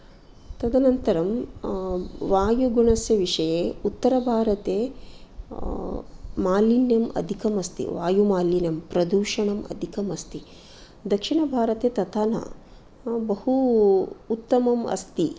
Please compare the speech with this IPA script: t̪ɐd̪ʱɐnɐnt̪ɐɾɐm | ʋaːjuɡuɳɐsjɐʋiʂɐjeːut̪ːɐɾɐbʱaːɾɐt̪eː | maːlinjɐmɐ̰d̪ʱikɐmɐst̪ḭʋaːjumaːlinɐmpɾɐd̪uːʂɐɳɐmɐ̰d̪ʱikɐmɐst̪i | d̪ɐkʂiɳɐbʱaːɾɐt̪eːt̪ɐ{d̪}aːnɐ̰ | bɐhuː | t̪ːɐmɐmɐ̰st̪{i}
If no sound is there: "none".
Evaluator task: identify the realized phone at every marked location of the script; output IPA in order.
t̪, i

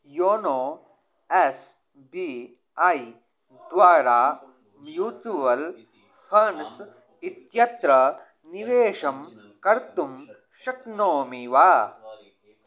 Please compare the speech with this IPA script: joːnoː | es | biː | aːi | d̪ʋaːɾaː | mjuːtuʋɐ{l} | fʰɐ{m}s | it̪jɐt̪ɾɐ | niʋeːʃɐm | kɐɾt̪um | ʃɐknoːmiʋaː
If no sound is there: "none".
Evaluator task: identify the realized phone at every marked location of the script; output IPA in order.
l, n

